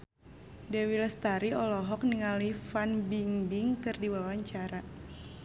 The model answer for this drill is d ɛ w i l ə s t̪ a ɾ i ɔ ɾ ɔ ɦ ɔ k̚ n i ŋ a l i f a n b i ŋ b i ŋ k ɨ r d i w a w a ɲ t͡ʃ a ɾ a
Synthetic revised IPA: d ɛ w i l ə s t̪ a ɾ i ɔ l ɔ ɦ ɔ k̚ n i ŋ a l i f a n b i ŋ b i ŋ k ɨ r d i w a w a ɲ t͡ʃ a ɾ a